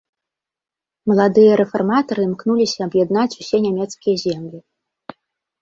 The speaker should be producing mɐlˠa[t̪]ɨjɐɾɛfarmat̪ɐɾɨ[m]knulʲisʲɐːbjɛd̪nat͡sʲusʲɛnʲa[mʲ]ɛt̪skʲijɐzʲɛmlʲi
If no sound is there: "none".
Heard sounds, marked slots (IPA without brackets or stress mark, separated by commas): d̪, m, mʲ